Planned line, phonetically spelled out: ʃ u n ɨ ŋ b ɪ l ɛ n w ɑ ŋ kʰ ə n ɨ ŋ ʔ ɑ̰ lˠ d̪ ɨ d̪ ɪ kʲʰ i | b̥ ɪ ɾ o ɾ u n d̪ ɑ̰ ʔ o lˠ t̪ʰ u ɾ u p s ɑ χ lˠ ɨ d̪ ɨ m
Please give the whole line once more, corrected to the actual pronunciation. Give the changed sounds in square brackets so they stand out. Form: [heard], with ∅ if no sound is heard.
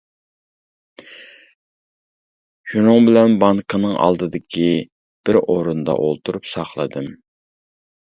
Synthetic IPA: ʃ u n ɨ ŋ b ɪ l ɛ n [b] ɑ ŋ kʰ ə n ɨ ŋ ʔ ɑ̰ lˠ d̪ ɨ d̪ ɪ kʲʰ i | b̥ ɪ ɾ o ɾ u n d̪ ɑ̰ ʔ o lˠ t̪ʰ u ɾ u p s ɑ χ lˠ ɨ d̪ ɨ m